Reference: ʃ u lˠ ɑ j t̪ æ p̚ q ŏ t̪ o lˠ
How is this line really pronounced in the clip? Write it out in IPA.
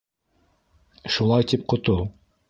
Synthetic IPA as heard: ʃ u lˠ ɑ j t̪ i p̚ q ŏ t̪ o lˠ